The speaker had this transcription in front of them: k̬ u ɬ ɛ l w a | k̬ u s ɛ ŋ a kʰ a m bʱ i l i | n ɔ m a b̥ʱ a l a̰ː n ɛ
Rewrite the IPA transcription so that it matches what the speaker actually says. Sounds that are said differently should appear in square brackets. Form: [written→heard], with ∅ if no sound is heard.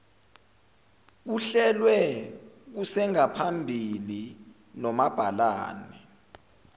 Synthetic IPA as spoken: k̬ u ɬ ɛ l w [a→ɛ] | k̬ u s ɛ ŋ a [kʰ→pʰ] a m bʱ i l i | n ɔ m a b̥ʱ a l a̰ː n ɛ